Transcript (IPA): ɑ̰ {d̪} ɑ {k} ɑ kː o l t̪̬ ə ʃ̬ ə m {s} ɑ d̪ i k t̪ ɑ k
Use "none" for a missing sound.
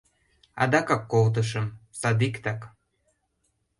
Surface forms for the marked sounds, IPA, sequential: d̪, k, s

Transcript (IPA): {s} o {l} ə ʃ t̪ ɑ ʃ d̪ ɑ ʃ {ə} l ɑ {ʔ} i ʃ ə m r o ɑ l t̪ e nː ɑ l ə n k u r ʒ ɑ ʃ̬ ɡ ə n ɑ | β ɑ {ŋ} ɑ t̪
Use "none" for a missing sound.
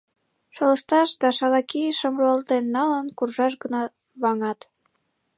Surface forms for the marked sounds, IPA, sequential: ʃ, l, ɑ, k, ŋ

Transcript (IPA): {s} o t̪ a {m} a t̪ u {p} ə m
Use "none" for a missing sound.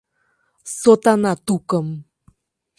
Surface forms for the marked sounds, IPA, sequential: s, n, k

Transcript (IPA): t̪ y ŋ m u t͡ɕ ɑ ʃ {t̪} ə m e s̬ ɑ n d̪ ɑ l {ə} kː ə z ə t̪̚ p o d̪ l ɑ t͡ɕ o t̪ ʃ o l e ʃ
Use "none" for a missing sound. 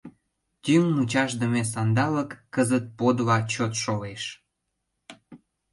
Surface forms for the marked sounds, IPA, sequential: d̪, ə

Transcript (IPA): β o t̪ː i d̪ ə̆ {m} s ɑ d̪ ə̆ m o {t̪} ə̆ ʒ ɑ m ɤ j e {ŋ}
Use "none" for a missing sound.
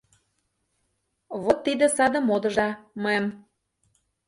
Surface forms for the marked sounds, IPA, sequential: none, d̪, m

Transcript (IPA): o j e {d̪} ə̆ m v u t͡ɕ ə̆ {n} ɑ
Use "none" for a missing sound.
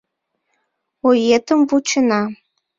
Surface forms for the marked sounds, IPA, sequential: t̪, n

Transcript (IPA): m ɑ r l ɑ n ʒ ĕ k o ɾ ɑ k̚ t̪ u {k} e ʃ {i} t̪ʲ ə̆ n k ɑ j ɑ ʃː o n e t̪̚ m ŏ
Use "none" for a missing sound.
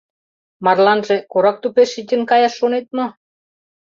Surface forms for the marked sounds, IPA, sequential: p, i

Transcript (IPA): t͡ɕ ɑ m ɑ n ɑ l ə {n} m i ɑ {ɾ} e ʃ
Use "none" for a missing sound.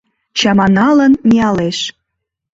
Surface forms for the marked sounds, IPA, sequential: n, l

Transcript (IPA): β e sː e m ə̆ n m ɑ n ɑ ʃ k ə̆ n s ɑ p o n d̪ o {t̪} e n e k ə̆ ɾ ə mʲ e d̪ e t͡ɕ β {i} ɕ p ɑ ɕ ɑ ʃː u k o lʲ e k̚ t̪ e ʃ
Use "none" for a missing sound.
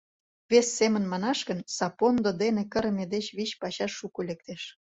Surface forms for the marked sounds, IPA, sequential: d̪, i

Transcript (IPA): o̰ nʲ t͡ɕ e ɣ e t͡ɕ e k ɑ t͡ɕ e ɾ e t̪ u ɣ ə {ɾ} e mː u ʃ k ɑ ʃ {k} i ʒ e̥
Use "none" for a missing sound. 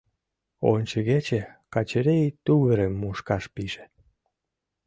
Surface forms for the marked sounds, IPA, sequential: ɾ, p

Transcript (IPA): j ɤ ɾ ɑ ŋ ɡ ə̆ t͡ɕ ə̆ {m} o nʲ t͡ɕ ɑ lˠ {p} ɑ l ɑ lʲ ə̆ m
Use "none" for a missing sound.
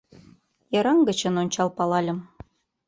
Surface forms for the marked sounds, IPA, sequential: n, p

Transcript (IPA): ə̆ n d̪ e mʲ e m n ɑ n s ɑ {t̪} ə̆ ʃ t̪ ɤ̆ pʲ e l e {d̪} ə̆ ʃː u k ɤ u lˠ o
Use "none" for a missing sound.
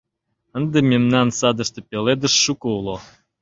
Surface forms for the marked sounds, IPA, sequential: d̪, d̪

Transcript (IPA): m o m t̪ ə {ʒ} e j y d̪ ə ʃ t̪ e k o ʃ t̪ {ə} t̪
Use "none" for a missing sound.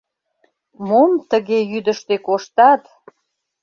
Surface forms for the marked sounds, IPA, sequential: ɣ, ɑ

